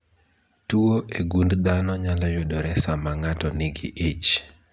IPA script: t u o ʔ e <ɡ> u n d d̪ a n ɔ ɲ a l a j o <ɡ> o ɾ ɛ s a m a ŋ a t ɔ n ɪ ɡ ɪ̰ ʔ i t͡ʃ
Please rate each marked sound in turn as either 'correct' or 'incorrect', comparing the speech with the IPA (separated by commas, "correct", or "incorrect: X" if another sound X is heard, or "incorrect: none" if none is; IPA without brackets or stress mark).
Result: correct, incorrect: d